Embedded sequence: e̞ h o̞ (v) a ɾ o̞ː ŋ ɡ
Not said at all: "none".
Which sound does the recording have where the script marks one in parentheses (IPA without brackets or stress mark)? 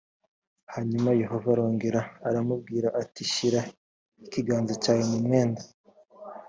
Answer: v